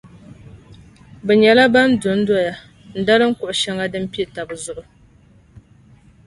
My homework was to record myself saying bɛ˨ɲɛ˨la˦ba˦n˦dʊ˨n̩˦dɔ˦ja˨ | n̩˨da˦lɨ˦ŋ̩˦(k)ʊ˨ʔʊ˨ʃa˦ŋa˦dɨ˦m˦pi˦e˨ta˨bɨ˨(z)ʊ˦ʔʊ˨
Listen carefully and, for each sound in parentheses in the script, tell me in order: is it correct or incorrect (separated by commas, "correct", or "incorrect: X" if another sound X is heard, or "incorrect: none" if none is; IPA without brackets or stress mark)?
correct, correct